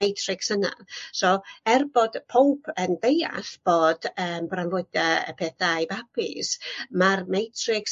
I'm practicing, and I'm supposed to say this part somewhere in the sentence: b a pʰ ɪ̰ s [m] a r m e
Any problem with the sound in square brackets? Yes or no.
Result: no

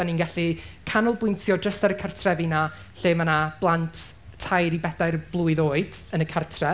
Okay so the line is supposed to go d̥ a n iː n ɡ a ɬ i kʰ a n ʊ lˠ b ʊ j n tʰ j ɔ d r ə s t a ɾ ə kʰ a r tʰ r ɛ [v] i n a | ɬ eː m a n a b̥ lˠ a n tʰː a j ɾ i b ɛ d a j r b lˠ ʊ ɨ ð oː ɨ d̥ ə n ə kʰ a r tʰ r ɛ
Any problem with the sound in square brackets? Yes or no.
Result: no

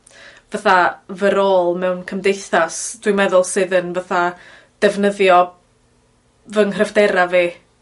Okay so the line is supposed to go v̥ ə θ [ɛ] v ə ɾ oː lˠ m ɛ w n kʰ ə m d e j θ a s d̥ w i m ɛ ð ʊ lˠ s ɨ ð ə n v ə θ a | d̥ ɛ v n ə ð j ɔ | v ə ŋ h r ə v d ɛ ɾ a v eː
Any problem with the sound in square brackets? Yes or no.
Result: yes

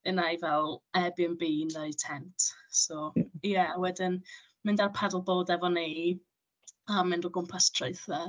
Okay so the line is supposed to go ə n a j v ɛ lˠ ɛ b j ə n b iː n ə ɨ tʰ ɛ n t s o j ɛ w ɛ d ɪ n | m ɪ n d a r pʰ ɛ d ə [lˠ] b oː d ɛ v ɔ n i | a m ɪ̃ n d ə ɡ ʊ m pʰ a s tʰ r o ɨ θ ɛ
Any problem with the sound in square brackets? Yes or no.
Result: no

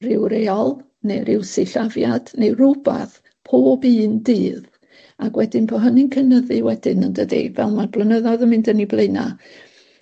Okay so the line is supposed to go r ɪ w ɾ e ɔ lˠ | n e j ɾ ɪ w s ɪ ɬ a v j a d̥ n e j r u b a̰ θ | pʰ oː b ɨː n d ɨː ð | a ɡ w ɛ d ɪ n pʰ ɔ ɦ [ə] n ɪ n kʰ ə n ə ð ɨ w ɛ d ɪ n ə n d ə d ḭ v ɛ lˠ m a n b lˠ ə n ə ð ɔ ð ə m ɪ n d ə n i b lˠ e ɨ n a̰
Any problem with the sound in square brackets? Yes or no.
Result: no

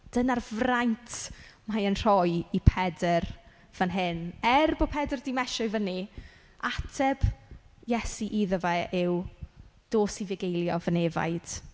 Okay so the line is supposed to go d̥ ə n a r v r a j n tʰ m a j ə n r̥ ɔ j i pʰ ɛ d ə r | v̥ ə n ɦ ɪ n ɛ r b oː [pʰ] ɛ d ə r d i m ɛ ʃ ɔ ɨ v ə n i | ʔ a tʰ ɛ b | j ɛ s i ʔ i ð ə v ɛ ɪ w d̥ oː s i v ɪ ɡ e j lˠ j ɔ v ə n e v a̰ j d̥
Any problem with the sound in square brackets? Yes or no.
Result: no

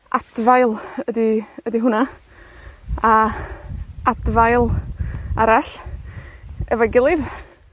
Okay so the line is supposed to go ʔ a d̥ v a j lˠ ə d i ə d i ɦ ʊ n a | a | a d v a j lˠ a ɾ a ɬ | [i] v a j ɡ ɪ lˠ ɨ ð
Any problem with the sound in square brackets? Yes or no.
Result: yes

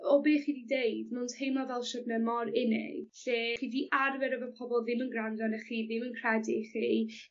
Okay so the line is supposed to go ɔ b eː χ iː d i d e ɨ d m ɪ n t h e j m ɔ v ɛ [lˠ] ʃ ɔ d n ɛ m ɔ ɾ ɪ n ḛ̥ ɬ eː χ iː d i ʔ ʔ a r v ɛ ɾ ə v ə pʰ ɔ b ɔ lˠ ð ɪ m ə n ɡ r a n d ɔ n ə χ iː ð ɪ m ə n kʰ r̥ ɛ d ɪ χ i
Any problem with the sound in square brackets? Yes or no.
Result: no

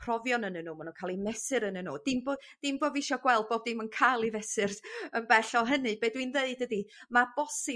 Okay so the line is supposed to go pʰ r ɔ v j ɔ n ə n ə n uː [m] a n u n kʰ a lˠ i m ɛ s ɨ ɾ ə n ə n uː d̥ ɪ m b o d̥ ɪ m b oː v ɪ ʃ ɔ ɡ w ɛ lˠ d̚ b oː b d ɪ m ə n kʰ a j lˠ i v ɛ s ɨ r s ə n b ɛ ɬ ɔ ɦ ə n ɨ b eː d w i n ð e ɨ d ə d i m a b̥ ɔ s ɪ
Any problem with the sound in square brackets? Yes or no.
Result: no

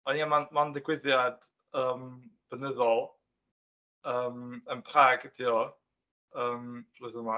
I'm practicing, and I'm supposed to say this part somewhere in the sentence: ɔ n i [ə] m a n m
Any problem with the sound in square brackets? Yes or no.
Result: yes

